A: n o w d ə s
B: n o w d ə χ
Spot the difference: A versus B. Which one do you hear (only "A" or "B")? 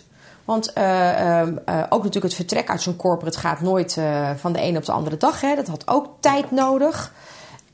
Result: B